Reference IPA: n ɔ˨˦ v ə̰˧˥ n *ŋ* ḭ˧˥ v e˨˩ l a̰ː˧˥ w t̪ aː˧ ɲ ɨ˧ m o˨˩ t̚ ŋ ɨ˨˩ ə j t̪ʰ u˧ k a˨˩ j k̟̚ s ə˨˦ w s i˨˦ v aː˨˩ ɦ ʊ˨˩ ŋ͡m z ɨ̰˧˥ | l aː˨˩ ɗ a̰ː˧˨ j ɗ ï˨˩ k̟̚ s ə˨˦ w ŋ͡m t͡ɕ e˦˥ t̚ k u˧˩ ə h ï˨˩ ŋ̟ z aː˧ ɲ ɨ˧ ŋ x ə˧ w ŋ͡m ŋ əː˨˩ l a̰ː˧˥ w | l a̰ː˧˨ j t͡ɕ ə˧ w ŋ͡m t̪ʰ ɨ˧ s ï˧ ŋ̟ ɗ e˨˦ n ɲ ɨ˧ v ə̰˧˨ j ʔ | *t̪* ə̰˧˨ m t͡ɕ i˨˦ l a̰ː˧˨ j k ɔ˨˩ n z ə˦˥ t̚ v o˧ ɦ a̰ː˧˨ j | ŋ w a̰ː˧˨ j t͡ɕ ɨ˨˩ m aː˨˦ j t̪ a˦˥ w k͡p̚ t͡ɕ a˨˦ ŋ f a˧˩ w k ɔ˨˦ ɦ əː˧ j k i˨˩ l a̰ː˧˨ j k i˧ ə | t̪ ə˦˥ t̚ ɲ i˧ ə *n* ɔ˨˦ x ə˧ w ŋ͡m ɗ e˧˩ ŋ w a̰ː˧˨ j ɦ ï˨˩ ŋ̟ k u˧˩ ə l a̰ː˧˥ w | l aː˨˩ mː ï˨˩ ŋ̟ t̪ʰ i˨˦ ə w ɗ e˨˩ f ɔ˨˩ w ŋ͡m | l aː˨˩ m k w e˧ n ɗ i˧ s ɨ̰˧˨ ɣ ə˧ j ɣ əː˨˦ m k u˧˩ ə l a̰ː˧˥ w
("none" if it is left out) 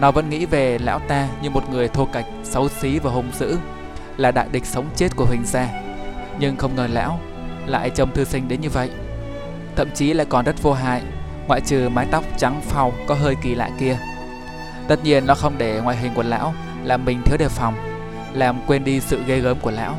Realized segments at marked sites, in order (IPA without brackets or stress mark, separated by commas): ŋ, t̪ʰ, nː